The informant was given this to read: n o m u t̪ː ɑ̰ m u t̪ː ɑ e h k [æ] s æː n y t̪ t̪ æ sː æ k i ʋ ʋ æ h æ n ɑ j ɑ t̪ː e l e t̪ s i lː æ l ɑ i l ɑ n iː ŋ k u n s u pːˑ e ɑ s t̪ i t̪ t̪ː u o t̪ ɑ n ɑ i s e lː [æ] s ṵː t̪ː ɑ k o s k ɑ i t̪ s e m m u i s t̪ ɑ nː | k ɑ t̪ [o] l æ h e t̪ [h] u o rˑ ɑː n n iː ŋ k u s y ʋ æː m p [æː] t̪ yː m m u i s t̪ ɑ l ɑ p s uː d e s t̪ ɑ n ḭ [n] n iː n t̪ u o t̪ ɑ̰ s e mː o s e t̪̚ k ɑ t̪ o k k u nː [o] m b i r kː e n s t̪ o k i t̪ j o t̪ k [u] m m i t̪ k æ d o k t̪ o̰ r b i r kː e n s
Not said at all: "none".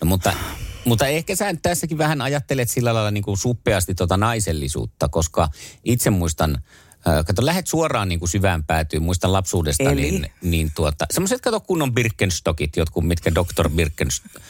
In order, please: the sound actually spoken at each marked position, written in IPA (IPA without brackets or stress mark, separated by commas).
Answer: æ, i, o, s, æː, n, o, u